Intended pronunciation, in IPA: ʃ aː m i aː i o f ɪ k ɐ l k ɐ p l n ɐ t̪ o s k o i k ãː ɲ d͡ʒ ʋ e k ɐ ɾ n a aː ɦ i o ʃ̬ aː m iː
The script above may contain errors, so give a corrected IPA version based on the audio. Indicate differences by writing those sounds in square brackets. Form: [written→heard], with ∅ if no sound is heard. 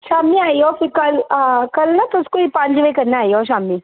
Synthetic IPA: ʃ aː m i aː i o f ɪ k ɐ l k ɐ [p→∅] l n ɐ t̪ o s k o i [k→p] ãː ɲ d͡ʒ ʋ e k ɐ ɾ n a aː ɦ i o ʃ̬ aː m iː